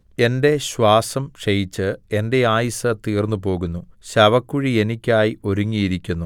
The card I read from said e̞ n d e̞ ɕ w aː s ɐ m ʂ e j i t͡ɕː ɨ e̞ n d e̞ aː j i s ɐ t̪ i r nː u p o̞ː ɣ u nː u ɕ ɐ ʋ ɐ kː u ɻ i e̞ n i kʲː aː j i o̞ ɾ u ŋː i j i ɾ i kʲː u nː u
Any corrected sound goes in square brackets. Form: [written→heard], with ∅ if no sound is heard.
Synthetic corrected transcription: e̞ n d e̞ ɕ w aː s ɐ m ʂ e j i t͡ɕː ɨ e̞ n d e̞ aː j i s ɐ t̪ [i→iː] r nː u p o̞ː ɣ u nː u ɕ ɐ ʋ ɐ kː u ɻ i e̞ n i kʲː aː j i o̞ ɾ u ŋː i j i ɾ i kʲː u nː u

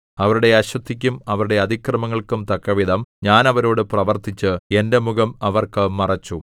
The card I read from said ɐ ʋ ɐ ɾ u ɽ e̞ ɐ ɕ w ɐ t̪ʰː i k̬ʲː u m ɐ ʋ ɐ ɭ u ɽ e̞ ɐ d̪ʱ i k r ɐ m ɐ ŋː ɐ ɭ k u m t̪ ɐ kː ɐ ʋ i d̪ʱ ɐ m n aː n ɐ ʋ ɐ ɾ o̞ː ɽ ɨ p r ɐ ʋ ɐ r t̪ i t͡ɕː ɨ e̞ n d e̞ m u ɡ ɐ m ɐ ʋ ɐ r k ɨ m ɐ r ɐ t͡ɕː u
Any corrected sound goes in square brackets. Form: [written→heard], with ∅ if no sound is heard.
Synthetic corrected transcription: ɐ ʋ ɐ ɾ u ɽ e̞ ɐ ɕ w ɐ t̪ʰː i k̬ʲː u m ɐ ʋ ɐ [ɭ→ɾ] u ɽ e̞ ɐ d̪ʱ i k r ɐ m ɐ ŋː ɐ ɭ k u m t̪ ɐ kː ɐ ʋ i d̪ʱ ɐ m [n→ɲ] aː n ɐ ʋ ɐ ɾ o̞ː ɽ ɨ p r ɐ ʋ ɐ r t̪ i t͡ɕː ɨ e̞ n d e̞ m u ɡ ɐ m ɐ ʋ ɐ r k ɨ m ɐ r ɐ t͡ɕː u

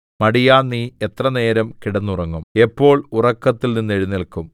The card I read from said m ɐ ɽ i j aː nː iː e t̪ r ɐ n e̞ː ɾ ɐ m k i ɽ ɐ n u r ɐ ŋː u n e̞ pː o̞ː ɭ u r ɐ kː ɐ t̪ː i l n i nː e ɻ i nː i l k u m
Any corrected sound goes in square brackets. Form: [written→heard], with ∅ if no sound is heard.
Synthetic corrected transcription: m ɐ ɽ i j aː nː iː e t̪ r ɐ n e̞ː ɾ ɐ m k i ɽ ɐ [n→nː] u r ɐ ŋː u [n→m] e̞ pː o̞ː ɭ u r ɐ kː ɐ t̪ː i l n i nː e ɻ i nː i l k u m

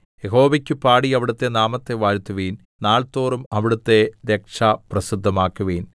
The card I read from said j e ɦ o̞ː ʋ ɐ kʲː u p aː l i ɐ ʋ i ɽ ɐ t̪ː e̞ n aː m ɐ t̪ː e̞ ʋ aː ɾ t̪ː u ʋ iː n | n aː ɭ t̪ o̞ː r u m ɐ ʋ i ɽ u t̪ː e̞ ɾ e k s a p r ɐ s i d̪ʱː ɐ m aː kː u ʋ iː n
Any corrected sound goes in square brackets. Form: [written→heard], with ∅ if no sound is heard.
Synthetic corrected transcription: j e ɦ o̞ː ʋ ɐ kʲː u p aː [l→ɽ] i ɐ ʋ i ɽ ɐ t̪ː e̞ n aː m ɐ t̪ː e̞ ʋ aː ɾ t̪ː u ʋ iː n | n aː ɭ t̪ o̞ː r u m ɐ ʋ i ɽ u t̪ː e̞ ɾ e k [s→ʂ] a p r ɐ s i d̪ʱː ɐ m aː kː u ʋ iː n

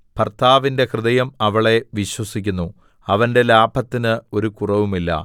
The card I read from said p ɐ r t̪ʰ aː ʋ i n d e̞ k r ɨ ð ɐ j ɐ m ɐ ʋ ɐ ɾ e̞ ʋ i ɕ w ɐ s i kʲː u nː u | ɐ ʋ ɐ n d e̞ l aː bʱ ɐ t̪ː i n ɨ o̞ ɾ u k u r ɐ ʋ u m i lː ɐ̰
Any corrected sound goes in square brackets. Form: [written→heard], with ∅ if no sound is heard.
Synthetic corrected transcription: p ɐ r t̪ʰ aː ʋ i n d e̞ k r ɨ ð ɐ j ɐ m ɐ ʋ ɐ [ɾ→ɭ] e̞ ʋ i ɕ w ɐ s i kʲː u nː u | ɐ ʋ ɐ n d e̞ l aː bʱ ɐ t̪ː i n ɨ o̞ ɾ u k u r ɐ ʋ u m i lː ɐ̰

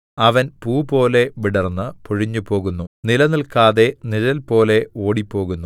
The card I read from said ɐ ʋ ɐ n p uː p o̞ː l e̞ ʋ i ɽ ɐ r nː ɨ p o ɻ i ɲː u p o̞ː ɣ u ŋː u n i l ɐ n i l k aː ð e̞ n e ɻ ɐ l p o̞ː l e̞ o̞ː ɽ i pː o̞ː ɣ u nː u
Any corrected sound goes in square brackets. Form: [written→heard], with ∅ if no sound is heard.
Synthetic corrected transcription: ɐ ʋ ɐ n p uː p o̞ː l e̞ ʋ i ɽ ɐ r nː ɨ p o ɻ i ɲː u p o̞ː ɣ u [ŋː→nː] u n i l ɐ n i l k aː ð e̞ n [e→i] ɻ ɐ l p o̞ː l e̞ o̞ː ɽ i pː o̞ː ɣ u nː u

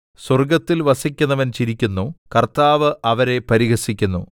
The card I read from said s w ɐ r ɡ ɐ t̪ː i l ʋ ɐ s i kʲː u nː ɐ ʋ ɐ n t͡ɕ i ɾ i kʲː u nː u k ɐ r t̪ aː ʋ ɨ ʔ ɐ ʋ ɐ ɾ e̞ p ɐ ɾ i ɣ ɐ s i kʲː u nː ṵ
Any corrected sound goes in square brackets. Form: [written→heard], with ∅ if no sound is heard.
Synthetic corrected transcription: s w ɐ r ɡ ɐ t̪ː i l ʋ ɐ s i kʲː u nː ɐ ʋ ɐ n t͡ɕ i ɾ i kʲː u nː u k ɐ r t̪ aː ʋ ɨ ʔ ɐ ʋ ɐ ɾ e̞ p ɐ ɾ i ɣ ɐ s i kʲː u nː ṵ

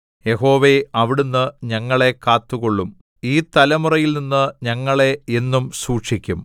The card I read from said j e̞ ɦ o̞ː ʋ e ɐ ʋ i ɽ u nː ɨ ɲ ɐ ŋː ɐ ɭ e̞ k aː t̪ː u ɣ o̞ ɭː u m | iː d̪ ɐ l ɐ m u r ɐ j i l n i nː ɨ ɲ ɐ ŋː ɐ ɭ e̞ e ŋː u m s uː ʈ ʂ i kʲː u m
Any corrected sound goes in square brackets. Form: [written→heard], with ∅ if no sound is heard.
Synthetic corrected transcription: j e̞ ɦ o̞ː ʋ e ɐ ʋ i ɽ u nː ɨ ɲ ɐ ŋː ɐ ɭ e̞ k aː t̪ː u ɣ o̞ ɭː u m | iː [d̪→t̪] ɐ l ɐ m u r ɐ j i l n i nː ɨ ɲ ɐ ŋː ɐ ɭ e̞ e [ŋː→nː] u m s uː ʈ ʂ i kʲː u m

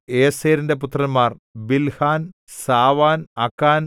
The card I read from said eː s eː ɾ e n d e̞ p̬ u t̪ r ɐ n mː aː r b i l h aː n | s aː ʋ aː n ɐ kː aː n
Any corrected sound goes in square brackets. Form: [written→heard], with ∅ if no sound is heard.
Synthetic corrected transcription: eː s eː ɾ [e→i] n d e̞ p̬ u t̪ r ɐ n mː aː r b i l h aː n | s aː ʋ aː n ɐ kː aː n

